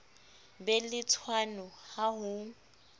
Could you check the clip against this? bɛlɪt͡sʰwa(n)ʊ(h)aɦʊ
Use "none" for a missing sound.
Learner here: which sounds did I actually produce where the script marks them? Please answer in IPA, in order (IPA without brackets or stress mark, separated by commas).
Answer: n, h